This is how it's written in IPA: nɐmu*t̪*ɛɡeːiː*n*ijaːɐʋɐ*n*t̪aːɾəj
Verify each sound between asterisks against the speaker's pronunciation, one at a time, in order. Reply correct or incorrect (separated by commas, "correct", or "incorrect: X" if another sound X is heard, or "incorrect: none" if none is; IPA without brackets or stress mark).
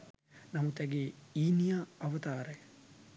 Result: correct, correct, incorrect: none